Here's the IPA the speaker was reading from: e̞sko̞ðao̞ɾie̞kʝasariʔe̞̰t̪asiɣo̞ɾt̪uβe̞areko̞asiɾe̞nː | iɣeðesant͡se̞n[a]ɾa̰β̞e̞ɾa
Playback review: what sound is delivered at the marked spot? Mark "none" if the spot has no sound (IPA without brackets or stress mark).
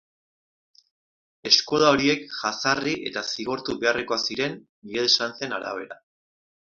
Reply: a